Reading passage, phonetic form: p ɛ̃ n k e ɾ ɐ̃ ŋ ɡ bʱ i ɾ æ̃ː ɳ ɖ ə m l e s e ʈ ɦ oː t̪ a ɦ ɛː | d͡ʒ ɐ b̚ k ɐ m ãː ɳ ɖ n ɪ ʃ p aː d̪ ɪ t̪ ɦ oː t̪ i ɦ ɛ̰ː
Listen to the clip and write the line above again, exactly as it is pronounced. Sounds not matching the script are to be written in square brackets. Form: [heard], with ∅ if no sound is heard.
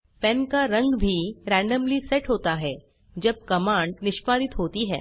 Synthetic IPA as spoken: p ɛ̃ n k [a] ɾ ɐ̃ ŋ ɡ bʱ i ɾ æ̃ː ɳ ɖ ə m l [i] s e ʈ ɦ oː t̪ a ɦ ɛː | d͡ʒ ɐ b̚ k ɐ m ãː ɳ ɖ n ɪ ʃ p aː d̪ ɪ t̪ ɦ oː t̪ i ɦ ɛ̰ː